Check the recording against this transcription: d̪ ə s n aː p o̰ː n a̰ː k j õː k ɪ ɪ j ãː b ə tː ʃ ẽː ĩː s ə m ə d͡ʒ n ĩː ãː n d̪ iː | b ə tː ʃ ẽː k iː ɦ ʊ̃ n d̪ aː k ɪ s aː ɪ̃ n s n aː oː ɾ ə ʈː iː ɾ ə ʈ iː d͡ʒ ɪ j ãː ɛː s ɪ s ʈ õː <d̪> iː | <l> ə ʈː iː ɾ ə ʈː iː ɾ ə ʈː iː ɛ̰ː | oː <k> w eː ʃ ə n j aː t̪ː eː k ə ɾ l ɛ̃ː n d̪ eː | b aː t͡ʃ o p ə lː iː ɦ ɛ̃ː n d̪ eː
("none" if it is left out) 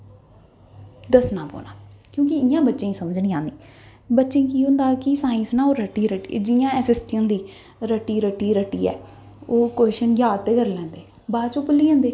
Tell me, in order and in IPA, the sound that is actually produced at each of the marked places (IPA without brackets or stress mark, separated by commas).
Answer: d̪, ɾ, k